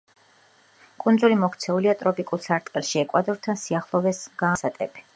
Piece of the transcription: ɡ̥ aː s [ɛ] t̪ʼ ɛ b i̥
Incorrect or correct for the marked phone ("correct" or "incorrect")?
incorrect